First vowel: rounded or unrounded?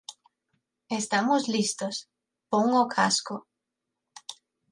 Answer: unrounded